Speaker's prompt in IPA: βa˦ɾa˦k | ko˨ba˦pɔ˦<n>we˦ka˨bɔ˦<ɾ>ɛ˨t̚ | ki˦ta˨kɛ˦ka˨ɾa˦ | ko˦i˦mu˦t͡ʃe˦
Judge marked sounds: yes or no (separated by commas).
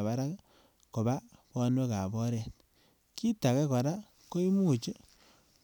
yes, yes